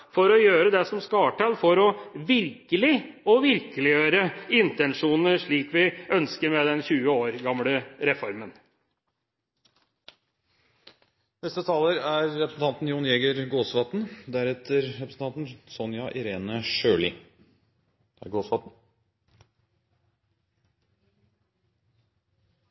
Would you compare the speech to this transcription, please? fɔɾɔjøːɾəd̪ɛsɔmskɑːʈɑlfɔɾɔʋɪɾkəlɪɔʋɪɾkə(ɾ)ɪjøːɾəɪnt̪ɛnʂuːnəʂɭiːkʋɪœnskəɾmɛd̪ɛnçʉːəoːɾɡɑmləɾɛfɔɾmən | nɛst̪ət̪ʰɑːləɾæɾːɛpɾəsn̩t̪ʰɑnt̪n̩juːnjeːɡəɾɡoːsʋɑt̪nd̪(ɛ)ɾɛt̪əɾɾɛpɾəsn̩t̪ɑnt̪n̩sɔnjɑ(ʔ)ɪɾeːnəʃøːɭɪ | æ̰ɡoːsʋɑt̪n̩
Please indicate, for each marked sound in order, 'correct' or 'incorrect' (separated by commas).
incorrect, incorrect, correct